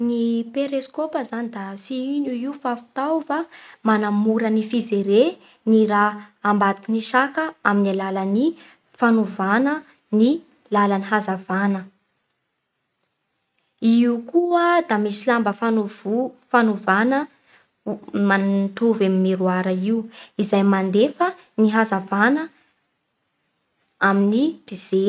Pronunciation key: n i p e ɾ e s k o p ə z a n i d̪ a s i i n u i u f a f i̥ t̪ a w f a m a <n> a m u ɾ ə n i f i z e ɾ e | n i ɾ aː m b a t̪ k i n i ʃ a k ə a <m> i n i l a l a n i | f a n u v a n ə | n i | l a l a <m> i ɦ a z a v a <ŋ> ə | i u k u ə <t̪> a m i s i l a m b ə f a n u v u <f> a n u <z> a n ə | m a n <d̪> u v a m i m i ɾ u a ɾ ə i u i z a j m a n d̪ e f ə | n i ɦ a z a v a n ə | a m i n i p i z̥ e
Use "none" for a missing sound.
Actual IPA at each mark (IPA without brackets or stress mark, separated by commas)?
n, m, n, n, d̪, f, v, t̪